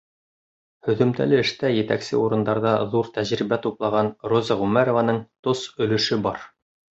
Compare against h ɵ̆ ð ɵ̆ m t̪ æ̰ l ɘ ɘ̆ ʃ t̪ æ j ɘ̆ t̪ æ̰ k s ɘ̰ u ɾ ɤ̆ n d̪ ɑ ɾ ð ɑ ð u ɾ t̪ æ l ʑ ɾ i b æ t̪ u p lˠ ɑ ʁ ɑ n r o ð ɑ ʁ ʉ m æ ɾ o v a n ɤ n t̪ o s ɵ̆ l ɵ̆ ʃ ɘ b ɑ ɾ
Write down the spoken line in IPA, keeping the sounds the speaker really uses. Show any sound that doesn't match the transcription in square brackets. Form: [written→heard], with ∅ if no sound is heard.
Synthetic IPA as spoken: h ɵ̆ ð ɵ̆ m t̪ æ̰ l ɘ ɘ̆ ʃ t̪ æ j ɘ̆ t̪ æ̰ k s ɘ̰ u ɾ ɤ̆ n d̪ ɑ ɾ ð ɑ ð u ɾ t̪ æ [l→∅] ʑ ɾ i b æ t̪ u p lˠ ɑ ʁ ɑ n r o [ð→z] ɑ ʁ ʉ m æ ɾ o v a n ɤ [n→ɴ] t̪ o s ɵ̆ l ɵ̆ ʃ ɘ b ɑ ɾ

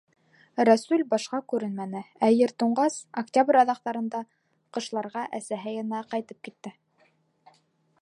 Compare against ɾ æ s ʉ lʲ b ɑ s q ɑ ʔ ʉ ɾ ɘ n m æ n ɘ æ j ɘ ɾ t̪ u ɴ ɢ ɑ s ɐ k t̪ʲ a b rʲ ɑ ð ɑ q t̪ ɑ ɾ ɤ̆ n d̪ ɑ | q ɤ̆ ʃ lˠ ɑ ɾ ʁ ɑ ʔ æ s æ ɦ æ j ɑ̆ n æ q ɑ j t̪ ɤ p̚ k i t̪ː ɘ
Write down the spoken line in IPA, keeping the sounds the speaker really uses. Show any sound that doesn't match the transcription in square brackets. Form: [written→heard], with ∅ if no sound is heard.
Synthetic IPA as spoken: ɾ æ s ʉ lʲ b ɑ [s→ʃ] q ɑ [ʔ→k] ʉ ɾ ɘ n m æ n ɘ æ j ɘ ɾ t̪ u ɴ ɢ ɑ s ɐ k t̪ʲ a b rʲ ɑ ð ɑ q t̪ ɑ ɾ ɤ̆ n d̪ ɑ | q ɤ̆ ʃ lˠ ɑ ɾ ʁ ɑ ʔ æ s æ ɦ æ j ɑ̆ n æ q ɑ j t̪ ɤ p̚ k i t̪ː ɘ

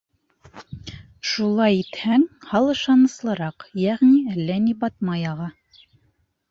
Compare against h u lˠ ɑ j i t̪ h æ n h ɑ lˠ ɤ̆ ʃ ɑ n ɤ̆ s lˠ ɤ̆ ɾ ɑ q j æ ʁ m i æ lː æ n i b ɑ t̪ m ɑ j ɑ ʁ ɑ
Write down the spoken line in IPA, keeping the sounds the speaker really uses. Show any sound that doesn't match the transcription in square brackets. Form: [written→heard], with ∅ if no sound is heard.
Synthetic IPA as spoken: [h→ʃ] u lˠ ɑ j i t̪ h æ [n→ŋ] h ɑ lˠ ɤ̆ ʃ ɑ n ɤ̆ s lˠ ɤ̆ ɾ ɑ q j æ ʁ [m→n] i æ lː æ n i b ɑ t̪ m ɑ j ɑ ʁ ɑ

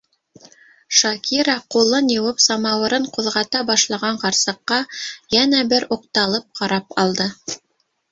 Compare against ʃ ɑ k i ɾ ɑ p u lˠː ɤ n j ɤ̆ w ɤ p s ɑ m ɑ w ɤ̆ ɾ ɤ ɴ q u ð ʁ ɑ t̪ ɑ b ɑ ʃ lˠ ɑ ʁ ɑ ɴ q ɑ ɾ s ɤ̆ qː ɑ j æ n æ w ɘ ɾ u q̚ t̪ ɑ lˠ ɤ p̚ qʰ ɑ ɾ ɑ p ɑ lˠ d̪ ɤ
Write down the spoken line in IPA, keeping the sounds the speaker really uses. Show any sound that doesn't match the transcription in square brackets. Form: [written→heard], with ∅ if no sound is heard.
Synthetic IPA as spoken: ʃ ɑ k i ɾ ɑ [p→q] u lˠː ɤ n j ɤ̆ w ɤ p s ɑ m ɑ w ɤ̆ ɾ ɤ ɴ q u ð ʁ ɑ t̪ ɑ b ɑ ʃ lˠ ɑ ʁ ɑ ɴ q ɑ ɾ s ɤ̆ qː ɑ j æ n æ [w→b] ɘ ɾ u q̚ t̪ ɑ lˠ ɤ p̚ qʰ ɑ ɾ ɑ p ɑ lˠ d̪ ɤ

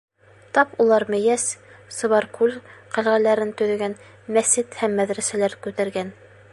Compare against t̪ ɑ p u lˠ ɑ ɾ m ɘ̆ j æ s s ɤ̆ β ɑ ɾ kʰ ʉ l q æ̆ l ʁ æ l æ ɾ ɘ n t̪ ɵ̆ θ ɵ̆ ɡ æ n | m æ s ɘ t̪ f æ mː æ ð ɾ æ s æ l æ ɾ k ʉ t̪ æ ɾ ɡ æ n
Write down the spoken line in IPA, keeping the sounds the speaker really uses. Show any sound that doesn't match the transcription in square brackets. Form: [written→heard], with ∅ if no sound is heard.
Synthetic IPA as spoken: t̪ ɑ p u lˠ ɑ ɾ m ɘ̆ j æ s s ɤ̆ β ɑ ɾ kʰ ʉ l q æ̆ l ʁ æ l æ ɾ ɘ n t̪ ɵ̆ [θ→ð] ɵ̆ ɡ æ n | m æ s ɘ t̪ [f→h] æ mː æ ð ɾ æ s æ l æ ɾ k ʉ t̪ æ ɾ ɡ æ n

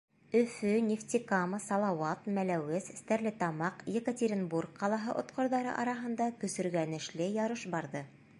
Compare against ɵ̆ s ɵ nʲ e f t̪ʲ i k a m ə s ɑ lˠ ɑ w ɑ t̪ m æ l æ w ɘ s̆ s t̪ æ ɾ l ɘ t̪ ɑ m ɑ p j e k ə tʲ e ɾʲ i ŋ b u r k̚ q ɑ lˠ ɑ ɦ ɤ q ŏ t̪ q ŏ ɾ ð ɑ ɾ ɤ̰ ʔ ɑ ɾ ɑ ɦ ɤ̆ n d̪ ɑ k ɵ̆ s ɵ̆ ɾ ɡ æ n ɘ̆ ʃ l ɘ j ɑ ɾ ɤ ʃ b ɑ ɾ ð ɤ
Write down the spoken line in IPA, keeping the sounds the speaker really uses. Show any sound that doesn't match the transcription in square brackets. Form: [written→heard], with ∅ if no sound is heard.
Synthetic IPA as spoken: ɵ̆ [s→f] ɵ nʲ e f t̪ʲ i k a m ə s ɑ lˠ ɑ w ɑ t̪ m æ l æ w ɘ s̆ s t̪ æ ɾ l ɘ t̪ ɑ m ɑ [p→q] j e k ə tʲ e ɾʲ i [ŋ→n] b u r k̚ q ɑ lˠ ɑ ɦ ɤ [q→ʔ] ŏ t̪ q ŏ ɾ ð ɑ ɾ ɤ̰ ʔ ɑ ɾ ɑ ɦ ɤ̆ n d̪ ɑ k ɵ̆ s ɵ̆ ɾ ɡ æ n ɘ̆ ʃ l ɘ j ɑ ɾ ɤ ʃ b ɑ ɾ ð ɤ

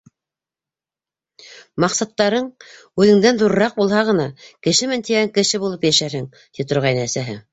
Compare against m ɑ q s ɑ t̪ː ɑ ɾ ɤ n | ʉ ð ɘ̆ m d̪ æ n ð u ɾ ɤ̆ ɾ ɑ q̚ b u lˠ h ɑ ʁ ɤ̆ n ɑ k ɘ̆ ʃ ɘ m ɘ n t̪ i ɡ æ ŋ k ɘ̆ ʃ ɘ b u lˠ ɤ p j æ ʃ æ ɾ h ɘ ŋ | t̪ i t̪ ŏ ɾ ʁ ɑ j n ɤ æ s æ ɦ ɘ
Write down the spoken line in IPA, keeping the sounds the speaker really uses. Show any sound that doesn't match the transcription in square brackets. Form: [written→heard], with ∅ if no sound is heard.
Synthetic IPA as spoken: m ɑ q s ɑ t̪ː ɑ ɾ ɤ [n→ɴ] | ʉ ð ɘ̆ [m→ŋ] d̪ æ n ð u ɾ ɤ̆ ɾ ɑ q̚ b u lˠ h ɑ ʁ ɤ̆ n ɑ k ɘ̆ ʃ ɘ m ɘ n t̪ i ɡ æ ŋ k ɘ̆ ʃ ɘ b u lˠ ɤ p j æ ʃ æ ɾ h ɘ ŋ | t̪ i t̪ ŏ ɾ ʁ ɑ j n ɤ æ s æ ɦ ɘ

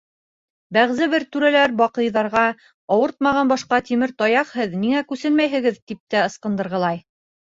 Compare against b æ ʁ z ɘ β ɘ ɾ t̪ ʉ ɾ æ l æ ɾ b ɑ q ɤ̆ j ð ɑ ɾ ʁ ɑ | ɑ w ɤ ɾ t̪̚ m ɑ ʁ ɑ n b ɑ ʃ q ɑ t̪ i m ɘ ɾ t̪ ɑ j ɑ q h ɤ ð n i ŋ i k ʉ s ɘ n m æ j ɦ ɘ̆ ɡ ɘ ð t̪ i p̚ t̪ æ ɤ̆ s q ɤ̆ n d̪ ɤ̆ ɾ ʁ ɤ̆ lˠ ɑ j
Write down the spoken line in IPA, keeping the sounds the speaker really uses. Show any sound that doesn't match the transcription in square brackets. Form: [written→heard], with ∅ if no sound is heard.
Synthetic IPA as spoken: b æ ʁ z ɘ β ɘ ɾ t̪ ʉ ɾ æ l æ ɾ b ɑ q ɤ̆ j ð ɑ ɾ ʁ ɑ | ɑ w ɤ ɾ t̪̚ m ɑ ʁ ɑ n b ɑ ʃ q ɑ t̪ i m ɘ ɾ t̪ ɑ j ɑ q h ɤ ð n i ŋ [i→æ] k ʉ s ɘ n m æ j ɦ ɘ̆ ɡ ɘ ð t̪ i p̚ t̪ æ ɤ̆ s q ɤ̆ n d̪ ɤ̆ ɾ ʁ ɤ̆ lˠ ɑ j

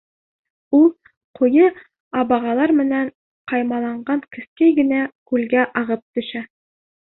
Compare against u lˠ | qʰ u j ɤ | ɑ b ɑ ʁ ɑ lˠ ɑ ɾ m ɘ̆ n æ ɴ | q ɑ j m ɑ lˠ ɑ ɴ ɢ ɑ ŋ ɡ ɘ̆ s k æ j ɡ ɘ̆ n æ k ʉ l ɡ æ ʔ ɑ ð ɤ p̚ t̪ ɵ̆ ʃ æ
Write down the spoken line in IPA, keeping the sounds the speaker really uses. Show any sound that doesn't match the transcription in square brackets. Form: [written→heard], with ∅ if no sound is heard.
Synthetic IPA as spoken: u lˠ | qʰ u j ɤ | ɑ b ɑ ʁ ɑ lˠ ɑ ɾ m ɘ̆ n æ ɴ | q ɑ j m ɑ lˠ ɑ ɴ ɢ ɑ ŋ [ɡ→k] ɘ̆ s k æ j ɡ ɘ̆ n æ k ʉ l ɡ æ ʔ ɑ [ð→ʁ] ɤ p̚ t̪ ɵ̆ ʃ æ

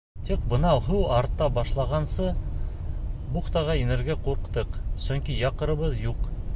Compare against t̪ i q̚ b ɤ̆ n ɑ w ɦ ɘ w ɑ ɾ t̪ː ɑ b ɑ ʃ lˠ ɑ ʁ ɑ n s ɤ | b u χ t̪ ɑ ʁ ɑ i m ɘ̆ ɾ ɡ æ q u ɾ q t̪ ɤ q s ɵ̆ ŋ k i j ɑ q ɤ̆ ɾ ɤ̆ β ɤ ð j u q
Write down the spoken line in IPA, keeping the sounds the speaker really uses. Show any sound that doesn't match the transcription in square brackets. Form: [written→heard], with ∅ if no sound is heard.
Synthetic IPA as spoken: t̪ i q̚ b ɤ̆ n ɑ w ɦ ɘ w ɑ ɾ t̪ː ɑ b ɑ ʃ lˠ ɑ ʁ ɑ n s ɤ | b u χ t̪ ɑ ʁ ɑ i [m→n] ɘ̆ ɾ ɡ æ q u ɾ q t̪ ɤ q s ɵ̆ ŋ k i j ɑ q ɤ̆ ɾ ɤ̆ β ɤ ð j u q

